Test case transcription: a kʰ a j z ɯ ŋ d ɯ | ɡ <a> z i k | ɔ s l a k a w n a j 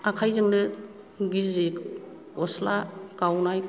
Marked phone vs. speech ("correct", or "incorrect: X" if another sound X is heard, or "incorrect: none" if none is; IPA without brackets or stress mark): incorrect: i